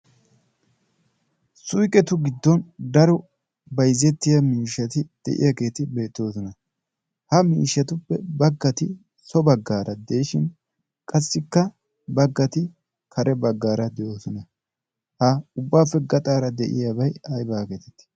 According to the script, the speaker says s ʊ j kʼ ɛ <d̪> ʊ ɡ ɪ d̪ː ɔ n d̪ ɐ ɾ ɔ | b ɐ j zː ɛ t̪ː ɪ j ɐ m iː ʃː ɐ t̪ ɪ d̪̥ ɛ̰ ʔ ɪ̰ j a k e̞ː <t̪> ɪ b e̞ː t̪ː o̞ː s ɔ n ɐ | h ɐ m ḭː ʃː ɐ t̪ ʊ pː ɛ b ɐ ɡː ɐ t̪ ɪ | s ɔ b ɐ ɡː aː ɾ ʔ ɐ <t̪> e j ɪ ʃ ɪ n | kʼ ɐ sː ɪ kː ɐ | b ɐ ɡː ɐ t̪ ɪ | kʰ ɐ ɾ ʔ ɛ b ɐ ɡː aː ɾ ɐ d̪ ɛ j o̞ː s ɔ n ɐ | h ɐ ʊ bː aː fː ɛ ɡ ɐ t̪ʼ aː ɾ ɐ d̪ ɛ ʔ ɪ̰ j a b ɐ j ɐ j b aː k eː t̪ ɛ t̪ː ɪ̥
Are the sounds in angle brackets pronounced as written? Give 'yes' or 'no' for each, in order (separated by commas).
no, yes, no